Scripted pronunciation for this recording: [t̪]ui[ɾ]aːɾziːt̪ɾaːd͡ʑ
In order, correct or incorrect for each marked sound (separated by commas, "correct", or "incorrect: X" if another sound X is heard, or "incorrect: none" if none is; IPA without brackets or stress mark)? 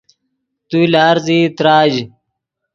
correct, incorrect: l